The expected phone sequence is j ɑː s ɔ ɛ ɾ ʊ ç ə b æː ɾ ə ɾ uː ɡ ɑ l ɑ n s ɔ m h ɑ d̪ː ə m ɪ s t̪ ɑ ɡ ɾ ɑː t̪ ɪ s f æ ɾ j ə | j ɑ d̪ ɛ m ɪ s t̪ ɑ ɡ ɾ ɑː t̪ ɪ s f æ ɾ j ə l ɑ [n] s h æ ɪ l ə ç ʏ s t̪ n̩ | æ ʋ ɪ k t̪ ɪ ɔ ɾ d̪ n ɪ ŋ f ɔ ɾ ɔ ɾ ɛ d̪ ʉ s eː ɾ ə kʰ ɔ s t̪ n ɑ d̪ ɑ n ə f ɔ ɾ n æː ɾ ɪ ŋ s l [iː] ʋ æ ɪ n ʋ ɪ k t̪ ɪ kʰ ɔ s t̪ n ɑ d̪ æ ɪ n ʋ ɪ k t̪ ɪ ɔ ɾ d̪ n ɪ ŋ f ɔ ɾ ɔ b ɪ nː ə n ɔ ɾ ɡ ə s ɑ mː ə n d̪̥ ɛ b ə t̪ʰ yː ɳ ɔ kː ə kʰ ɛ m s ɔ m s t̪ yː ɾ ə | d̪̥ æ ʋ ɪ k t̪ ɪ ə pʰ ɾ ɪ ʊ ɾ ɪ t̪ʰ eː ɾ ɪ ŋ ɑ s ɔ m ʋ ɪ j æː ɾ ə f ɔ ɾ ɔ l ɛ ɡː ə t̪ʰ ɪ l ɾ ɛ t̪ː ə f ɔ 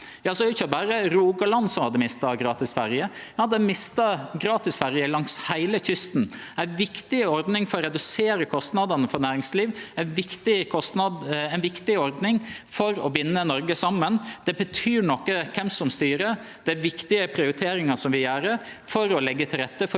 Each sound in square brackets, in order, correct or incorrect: incorrect, correct

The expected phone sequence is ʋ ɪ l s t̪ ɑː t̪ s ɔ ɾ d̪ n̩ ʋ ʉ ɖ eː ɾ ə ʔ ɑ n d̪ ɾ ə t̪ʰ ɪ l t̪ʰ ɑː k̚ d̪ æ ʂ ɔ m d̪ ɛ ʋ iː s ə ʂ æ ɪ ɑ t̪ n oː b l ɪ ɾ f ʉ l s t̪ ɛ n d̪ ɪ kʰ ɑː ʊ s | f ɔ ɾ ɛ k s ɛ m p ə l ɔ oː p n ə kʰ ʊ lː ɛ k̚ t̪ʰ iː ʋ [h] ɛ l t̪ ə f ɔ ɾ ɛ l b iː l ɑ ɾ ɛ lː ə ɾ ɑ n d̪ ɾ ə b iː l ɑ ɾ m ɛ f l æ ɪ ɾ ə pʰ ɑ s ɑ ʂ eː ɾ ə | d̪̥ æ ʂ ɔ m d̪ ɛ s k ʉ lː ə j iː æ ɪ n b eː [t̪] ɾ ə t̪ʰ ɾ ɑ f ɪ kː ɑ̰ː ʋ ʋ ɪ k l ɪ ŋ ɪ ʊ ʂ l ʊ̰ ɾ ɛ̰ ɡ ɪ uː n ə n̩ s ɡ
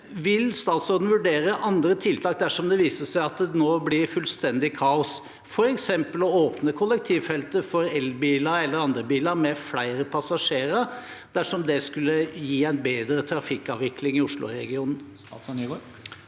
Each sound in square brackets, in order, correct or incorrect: incorrect, incorrect

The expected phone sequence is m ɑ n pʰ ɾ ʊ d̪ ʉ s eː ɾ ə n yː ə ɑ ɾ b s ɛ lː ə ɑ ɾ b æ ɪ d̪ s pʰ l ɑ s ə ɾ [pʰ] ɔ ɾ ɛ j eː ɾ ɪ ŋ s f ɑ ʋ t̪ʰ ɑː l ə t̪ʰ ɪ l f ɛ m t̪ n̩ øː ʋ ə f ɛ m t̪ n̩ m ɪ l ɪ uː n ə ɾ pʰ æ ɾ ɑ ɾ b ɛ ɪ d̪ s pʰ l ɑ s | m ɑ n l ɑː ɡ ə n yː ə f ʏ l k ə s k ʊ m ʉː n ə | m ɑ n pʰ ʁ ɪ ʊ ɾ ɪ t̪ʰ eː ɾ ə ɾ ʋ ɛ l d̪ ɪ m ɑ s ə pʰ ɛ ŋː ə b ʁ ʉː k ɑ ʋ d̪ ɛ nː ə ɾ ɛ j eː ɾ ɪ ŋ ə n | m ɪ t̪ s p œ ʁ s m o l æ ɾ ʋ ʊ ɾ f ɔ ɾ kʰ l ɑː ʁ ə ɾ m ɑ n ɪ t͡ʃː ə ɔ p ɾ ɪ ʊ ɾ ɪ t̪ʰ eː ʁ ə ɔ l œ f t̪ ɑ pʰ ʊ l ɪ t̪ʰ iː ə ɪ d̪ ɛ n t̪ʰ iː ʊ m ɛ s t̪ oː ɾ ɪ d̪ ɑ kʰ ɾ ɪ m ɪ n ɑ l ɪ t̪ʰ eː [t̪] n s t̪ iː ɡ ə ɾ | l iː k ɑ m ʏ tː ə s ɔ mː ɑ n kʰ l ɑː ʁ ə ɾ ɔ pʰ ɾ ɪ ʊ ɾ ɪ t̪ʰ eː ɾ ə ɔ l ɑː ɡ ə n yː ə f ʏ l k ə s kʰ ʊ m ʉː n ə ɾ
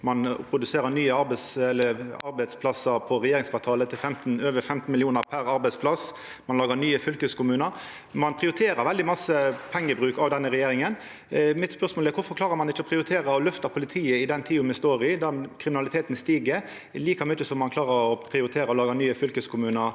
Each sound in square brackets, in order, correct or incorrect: correct, correct

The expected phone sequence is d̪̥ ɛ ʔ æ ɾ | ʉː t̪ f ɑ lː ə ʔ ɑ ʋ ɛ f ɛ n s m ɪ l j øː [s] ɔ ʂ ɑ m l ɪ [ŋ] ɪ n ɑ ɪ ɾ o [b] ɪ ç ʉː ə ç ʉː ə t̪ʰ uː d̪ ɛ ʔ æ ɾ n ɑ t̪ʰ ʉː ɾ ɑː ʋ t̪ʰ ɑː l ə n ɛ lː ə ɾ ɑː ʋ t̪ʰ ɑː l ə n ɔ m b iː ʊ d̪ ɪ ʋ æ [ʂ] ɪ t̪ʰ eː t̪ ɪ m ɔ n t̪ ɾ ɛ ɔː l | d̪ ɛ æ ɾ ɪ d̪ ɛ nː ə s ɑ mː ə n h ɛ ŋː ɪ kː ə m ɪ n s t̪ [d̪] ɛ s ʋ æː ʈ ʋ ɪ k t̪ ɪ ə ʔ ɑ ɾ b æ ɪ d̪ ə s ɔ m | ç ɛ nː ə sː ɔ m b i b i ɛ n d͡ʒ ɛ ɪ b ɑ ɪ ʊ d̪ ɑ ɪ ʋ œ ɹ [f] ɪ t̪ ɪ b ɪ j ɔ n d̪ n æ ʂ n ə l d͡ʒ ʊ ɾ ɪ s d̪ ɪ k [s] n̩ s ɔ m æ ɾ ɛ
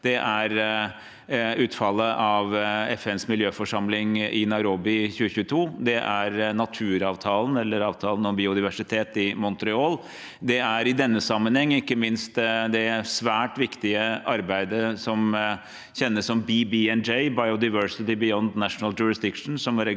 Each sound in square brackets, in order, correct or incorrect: incorrect, correct, correct, correct, correct, incorrect, incorrect

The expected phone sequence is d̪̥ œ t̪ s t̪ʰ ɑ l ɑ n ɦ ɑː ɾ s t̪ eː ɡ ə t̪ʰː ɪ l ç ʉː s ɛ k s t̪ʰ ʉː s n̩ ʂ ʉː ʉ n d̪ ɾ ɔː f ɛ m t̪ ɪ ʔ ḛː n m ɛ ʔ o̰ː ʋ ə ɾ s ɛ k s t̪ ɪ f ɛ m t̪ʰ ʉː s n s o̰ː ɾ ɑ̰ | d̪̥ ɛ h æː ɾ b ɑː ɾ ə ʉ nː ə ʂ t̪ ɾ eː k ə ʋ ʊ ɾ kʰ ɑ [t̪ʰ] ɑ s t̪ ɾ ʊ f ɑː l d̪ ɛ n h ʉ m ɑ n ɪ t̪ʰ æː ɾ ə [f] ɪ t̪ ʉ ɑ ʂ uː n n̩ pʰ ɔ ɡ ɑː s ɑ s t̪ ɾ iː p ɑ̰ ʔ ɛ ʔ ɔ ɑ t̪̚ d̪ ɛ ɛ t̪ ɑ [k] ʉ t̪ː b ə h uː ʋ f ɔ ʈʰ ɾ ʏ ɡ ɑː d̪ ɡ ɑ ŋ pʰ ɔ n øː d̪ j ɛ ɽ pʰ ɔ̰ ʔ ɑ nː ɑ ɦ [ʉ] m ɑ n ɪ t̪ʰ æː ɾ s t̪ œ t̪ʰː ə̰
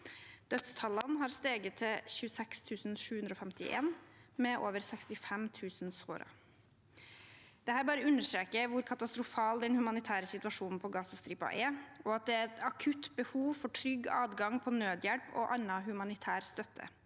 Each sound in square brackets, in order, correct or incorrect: incorrect, incorrect, incorrect, correct

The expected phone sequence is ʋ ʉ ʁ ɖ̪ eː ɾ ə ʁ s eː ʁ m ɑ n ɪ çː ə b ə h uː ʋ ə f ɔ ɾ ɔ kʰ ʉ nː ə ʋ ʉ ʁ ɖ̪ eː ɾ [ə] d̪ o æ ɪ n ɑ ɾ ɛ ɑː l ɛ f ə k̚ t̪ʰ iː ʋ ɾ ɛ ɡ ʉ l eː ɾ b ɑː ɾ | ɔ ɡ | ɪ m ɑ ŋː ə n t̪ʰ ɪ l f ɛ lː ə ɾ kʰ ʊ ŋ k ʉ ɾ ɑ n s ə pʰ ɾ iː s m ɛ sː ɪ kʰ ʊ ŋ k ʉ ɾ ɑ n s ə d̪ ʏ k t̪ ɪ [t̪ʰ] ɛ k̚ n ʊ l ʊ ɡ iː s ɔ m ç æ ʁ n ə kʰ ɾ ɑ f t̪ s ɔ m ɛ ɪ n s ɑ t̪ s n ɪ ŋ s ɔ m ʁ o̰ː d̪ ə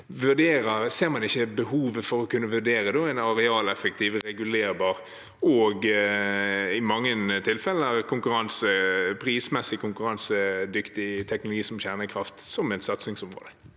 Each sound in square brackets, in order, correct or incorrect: correct, correct

